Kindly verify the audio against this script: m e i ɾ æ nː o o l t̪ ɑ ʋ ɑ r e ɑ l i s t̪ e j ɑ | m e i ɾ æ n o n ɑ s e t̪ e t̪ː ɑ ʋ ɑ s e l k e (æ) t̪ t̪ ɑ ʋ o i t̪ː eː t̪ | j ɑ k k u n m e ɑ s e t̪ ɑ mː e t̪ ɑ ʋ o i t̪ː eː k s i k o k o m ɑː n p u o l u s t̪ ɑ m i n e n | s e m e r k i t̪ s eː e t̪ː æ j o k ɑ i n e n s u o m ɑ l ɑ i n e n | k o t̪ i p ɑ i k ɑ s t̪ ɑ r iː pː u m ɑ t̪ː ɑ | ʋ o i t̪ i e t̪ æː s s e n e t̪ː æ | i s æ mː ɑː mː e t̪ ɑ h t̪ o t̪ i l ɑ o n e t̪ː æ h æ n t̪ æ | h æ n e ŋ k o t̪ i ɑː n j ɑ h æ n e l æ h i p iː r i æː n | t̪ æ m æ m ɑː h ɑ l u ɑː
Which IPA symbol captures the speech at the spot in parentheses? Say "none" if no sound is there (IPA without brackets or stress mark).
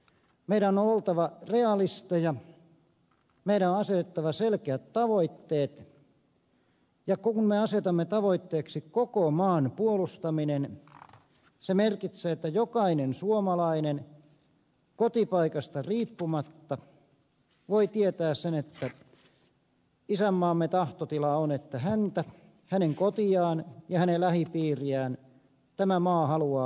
æ